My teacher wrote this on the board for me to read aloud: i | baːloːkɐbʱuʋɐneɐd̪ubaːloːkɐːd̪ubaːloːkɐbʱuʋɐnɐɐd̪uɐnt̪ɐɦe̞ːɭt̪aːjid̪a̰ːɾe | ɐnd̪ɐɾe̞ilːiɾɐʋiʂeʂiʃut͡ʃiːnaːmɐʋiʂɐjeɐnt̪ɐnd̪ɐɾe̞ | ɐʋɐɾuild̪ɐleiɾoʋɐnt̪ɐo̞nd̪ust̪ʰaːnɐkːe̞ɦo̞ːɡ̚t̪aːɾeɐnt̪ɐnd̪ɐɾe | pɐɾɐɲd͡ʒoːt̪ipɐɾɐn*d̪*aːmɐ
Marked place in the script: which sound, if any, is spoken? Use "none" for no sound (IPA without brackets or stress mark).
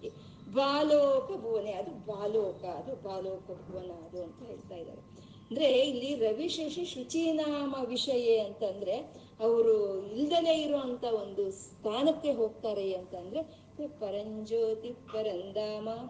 d̪